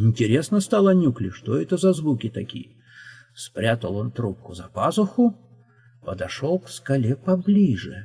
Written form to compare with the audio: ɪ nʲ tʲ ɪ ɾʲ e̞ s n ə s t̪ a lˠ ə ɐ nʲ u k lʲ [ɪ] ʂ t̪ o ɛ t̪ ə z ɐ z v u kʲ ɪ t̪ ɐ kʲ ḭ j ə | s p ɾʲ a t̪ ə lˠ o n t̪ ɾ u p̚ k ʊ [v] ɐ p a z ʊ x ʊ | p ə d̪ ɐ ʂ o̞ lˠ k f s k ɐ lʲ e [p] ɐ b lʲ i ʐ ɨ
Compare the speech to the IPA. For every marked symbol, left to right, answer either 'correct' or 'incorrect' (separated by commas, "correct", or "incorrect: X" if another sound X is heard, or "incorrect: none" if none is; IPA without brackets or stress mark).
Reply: correct, incorrect: z, correct